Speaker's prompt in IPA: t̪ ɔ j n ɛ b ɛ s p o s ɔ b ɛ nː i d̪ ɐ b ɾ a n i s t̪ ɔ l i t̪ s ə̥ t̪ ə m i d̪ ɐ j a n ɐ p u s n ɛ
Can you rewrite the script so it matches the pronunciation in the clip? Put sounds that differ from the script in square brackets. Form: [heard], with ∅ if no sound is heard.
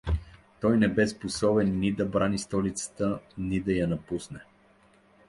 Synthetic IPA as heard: t̪ ɔ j n ɛ b ɛ s p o s ɔ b ɛ nː i d̪ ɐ b ɾ a n i s t̪ ɔ l i t̪ s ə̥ t̪ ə [n] i d̪ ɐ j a n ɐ p u s n ɛ